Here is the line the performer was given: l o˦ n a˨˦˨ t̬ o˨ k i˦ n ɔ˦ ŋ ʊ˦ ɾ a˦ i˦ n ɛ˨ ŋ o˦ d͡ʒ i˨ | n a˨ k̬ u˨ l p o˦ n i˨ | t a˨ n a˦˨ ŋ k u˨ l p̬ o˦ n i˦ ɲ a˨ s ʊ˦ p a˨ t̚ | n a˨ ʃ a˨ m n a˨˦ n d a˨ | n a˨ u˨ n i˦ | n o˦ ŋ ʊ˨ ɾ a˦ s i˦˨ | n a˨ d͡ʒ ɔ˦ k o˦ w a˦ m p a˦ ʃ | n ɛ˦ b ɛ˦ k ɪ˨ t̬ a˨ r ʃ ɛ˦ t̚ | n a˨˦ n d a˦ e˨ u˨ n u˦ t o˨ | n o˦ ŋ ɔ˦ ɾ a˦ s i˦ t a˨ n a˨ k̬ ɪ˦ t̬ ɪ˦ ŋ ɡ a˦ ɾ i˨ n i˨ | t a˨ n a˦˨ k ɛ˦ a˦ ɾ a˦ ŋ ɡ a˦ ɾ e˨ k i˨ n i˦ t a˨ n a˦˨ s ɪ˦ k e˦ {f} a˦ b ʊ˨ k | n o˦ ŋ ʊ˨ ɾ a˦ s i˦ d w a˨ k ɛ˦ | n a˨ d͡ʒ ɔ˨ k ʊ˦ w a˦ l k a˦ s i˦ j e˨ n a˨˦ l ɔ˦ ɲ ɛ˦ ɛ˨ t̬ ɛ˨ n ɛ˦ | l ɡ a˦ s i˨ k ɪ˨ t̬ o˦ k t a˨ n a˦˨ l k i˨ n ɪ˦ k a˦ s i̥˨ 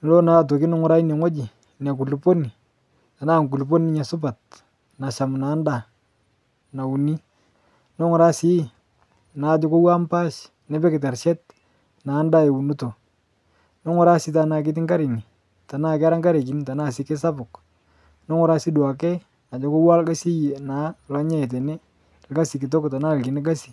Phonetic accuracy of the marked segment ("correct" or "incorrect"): incorrect